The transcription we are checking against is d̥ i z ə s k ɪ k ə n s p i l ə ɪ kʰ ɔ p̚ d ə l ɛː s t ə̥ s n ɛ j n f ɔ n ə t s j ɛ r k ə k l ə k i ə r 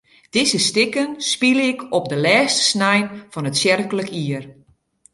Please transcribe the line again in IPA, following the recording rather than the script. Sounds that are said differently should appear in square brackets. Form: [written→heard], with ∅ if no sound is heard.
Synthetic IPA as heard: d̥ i z ə s [k→t] ɪ k ə n s p i l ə ɪ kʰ ɔ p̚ d ə l ɛː s t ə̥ s n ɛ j n f ɔ n ə t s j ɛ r k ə [k→∅] l ə k i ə r